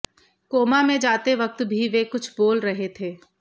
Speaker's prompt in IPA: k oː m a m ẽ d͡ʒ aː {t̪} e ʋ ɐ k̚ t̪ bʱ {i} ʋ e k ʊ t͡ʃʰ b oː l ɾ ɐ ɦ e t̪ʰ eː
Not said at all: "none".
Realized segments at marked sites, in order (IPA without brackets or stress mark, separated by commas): t̪, i